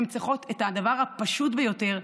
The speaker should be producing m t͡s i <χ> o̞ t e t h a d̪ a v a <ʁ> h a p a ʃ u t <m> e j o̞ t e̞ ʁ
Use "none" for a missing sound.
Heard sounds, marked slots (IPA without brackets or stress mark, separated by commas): χ, ʁ, b